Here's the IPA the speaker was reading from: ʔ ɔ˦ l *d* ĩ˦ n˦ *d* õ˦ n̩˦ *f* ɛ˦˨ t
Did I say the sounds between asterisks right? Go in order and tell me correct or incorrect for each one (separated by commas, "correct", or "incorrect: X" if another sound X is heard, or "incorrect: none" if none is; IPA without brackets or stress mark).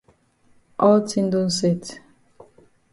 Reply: incorrect: t, correct, incorrect: s